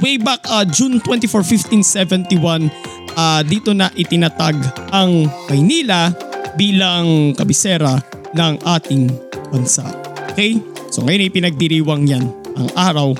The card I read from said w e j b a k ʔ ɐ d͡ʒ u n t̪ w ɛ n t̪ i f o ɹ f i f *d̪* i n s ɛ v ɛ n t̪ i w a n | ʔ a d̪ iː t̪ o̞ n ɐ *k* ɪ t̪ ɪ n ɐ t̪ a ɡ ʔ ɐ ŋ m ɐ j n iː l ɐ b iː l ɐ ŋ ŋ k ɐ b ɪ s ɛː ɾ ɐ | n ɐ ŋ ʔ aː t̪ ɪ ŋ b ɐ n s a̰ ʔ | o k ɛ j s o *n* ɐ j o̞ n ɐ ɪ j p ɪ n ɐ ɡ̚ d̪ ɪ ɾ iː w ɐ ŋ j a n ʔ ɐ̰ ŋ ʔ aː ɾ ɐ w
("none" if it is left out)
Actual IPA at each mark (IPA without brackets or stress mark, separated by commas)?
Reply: t̪, ʔ, ŋ